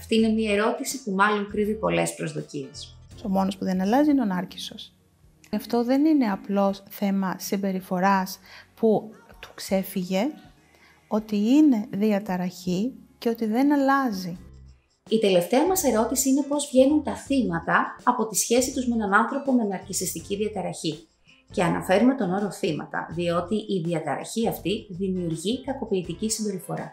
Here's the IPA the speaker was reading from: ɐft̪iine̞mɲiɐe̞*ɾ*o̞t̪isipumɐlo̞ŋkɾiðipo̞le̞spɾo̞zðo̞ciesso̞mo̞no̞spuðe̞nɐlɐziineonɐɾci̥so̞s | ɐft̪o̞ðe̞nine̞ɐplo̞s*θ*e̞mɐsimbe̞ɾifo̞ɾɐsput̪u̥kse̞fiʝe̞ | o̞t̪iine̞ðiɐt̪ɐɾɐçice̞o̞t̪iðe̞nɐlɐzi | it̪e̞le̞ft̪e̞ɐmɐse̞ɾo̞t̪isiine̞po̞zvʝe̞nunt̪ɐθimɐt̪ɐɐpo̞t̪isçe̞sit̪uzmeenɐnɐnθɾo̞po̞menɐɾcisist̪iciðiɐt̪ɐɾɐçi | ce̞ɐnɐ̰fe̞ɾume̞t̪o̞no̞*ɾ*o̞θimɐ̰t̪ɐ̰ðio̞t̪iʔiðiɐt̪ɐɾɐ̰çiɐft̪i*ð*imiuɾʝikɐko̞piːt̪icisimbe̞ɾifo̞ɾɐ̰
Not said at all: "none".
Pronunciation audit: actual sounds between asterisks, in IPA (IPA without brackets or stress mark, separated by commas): ɾ, θ, ɾ, ð